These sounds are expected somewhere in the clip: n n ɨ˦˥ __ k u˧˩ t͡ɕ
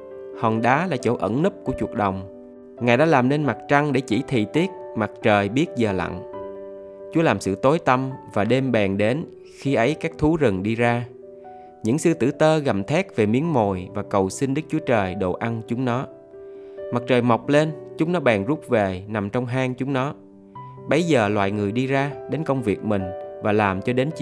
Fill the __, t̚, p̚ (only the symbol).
p̚